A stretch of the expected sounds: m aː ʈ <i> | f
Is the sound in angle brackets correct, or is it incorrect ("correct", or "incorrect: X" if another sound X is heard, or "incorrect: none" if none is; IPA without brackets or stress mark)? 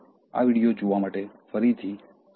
incorrect: e